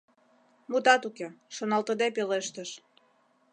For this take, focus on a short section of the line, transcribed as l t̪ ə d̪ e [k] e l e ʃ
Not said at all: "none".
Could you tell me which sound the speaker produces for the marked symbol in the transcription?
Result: p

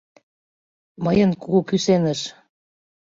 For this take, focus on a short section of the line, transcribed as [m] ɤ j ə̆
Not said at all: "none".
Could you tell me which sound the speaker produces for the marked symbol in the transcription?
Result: m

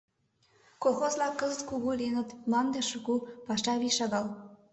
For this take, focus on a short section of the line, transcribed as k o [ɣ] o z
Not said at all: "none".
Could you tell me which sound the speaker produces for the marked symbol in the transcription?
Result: x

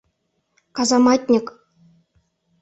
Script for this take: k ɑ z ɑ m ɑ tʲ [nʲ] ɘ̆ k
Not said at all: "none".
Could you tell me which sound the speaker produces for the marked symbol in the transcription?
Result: nʲ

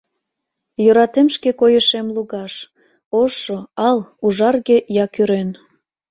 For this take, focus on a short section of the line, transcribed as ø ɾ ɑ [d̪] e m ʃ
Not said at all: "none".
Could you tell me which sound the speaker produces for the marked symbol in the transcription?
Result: t̪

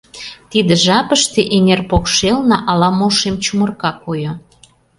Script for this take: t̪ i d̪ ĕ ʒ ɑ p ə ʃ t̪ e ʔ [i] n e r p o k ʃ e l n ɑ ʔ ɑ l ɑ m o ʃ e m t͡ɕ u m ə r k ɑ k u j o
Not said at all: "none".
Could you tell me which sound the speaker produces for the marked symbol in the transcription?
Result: e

